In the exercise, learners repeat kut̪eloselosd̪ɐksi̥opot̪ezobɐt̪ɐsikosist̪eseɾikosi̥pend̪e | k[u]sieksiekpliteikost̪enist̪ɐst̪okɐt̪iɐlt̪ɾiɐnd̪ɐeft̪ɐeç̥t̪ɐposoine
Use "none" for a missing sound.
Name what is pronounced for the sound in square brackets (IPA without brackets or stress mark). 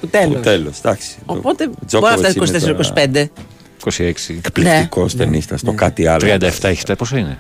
o